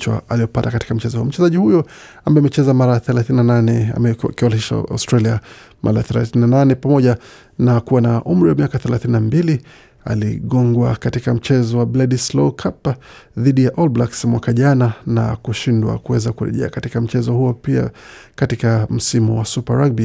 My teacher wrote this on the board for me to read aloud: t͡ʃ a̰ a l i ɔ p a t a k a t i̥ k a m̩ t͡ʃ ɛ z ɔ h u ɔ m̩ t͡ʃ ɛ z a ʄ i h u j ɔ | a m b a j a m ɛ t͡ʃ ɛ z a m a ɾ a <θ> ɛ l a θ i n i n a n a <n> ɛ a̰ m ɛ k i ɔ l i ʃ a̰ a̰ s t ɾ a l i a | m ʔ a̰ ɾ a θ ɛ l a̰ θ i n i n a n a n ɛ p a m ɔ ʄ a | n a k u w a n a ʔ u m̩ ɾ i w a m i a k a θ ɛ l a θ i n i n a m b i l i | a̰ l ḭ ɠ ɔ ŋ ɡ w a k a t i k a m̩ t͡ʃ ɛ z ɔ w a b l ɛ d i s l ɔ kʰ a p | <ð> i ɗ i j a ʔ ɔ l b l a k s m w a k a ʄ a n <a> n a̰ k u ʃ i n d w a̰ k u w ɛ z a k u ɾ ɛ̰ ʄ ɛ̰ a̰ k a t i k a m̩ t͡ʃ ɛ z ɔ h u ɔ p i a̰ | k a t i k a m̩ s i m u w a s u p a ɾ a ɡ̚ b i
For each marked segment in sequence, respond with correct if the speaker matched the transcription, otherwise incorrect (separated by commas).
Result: correct, correct, correct, correct